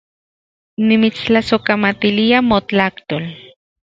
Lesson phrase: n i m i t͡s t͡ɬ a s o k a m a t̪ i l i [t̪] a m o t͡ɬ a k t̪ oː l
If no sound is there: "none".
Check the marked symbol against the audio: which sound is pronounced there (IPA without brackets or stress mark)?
none